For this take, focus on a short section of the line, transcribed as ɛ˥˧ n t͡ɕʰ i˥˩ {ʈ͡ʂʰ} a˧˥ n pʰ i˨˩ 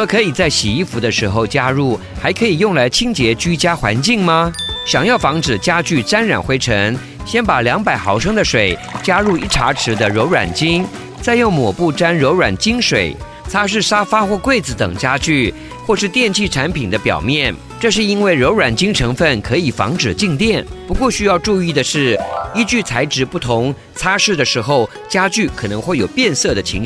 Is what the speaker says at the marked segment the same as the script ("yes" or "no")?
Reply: yes